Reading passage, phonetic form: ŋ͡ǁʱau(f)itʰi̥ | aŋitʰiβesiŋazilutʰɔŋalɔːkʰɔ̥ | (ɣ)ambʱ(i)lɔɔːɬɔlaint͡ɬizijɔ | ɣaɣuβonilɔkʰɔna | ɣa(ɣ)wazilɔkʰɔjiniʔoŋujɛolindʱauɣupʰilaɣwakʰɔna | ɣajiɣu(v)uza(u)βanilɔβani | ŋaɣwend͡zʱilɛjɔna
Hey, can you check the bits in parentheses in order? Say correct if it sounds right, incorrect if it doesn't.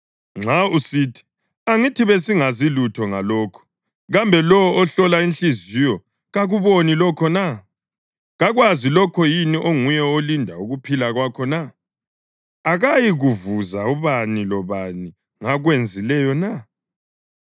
incorrect: s, correct, incorrect: ɛ, correct, correct, correct

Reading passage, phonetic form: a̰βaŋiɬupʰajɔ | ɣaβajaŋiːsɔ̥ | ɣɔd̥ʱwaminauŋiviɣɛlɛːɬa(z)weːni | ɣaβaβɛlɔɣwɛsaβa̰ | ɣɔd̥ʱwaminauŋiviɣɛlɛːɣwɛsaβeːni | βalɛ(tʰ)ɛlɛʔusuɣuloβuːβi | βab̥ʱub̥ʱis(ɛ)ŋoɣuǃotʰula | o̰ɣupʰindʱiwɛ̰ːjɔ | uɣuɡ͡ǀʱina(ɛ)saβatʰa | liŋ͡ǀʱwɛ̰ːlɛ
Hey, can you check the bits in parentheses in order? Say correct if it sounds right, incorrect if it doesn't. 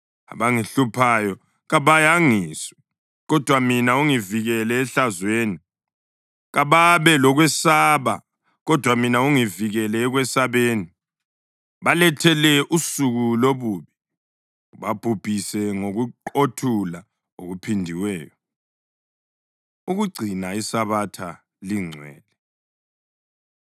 correct, correct, correct, incorrect: i

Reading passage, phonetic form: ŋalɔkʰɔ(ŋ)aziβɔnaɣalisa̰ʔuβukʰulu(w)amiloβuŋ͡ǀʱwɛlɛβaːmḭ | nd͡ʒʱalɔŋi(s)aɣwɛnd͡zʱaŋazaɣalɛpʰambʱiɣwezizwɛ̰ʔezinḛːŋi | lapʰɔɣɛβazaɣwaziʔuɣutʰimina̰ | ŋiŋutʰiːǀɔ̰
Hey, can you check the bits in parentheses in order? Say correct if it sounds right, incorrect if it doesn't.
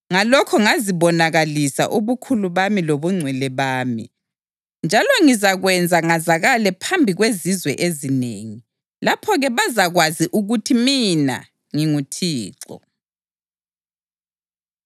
correct, incorrect: β, incorrect: z

